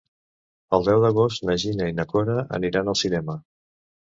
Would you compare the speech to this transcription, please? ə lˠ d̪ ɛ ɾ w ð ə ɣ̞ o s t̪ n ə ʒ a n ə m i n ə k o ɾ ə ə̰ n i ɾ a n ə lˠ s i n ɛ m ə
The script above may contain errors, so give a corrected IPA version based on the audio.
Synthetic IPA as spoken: ə lˠ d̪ ɛ w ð ə ɣ̞ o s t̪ n ə ʒ i n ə i n ə k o ɾ ə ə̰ n i ɾ a n ə lˠ s i n ɛ m ə